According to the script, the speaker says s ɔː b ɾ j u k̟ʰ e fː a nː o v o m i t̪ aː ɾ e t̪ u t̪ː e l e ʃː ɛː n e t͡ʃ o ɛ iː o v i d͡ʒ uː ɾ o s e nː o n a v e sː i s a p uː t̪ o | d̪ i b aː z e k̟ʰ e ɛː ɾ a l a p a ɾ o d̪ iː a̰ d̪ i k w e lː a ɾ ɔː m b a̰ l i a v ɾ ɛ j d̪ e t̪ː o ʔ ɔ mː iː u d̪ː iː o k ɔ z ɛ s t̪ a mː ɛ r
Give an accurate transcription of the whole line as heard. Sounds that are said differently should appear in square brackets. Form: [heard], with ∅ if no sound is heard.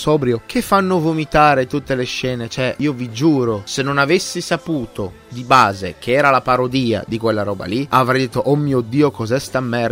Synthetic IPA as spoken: s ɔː b ɾ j [o] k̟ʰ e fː a nː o v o m i t̪ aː ɾ e t̪ u t̪ː e l e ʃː ɛː n e t͡ʃ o ɛ iː o v i d͡ʒ uː ɾ o s e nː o n a v e sː i s a p uː t̪ o | d̪ i b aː z e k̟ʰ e ɛː ɾ a l a p a ɾ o d̪ iː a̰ d̪ i k w e lː a ɾ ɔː [∅] b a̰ l i a v ɾ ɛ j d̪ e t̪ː o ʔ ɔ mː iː [o] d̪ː iː o k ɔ z ɛ s t̪ a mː ɛ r